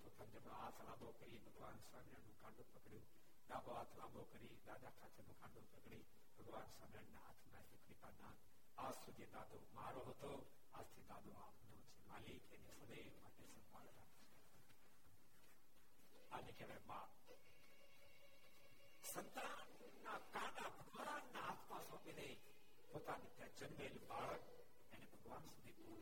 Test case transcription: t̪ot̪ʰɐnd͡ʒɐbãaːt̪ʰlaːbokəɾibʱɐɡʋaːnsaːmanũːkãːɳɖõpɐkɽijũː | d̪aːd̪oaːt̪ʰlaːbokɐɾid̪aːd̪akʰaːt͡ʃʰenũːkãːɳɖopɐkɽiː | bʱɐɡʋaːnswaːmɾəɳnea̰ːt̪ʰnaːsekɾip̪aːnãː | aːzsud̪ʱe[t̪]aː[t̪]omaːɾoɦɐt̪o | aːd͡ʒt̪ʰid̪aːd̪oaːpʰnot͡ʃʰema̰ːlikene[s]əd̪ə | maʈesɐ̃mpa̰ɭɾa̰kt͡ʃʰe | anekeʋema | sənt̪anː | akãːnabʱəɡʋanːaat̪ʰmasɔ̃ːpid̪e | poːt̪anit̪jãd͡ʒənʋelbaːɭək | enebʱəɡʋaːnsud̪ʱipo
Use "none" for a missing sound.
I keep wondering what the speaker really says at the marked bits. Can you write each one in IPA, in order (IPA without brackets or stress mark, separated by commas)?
d̪, d̪, s